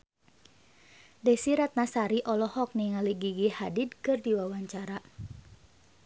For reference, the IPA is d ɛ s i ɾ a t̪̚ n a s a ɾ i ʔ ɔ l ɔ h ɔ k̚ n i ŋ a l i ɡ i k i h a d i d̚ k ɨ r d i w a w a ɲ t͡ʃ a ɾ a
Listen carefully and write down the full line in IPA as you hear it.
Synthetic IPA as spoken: d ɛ s i ɾ a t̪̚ n a s a ɾ i ʔ ɔ l ɔ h ɔ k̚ n i ŋ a l i ɡ i ɡ i h a d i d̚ k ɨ r d i w a w a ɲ t͡ʃ a ɾ a